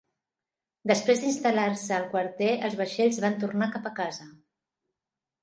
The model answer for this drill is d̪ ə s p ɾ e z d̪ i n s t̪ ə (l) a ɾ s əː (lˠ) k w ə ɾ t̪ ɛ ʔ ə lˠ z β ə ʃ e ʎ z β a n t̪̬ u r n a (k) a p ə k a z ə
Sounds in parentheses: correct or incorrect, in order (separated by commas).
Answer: correct, correct, correct